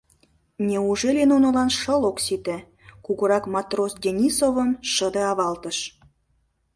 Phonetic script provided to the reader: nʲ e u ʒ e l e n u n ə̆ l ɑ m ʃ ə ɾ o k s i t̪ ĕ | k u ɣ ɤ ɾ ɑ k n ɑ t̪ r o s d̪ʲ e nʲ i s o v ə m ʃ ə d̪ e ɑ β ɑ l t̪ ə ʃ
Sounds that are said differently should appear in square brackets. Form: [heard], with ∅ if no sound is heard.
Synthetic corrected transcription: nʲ e u ʒ e l e n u n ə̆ l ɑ [n] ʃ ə [l] o k s i t̪ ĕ | k u ɣ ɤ ɾ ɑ k [m] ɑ t̪ r o s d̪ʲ e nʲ i s o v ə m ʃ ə d̪ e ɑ β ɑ l t̪ ə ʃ